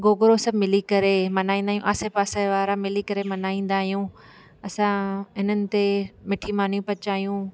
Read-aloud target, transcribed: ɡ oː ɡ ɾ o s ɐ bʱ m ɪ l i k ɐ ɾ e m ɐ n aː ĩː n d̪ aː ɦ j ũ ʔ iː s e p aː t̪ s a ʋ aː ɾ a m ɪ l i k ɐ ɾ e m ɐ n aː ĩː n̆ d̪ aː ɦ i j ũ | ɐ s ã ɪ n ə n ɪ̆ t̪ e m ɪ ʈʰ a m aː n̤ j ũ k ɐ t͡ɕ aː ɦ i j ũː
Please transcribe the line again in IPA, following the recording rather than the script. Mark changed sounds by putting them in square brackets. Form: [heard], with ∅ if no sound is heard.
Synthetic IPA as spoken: ɡ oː ɡ ɾ o s ɐ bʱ m ɪ l i k ɐ ɾ e m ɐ n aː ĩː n d̪ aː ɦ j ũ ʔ [aː] s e p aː [∅] s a ʋ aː ɾ a m ɪ l i k ɐ ɾ e m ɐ n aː ĩː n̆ d̪ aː ɦ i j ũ | ɐ s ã ɪ n ə n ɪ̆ t̪ e m ɪ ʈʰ [i] m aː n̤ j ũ [p] ɐ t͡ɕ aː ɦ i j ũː